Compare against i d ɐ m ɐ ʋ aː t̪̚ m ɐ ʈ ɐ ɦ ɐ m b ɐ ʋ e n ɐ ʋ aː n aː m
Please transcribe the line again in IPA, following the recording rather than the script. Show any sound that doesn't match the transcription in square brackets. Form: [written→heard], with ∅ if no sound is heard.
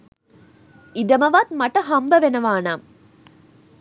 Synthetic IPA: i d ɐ m ɐ ʋ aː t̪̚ m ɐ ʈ ɐ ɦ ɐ m b ɐ ʋ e n ɐ ʋ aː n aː m